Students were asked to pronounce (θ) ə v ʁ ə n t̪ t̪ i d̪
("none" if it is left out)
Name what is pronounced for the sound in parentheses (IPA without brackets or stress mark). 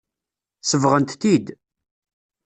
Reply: s